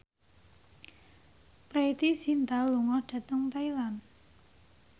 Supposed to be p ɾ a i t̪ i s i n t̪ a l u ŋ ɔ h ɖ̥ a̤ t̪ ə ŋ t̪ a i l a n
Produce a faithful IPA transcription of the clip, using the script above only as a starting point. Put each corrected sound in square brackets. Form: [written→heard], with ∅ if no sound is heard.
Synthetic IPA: p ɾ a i t̪ i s i n t̪ a l u ŋ ɔ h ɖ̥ a̤ t̪ ə ŋ t̪ a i l a n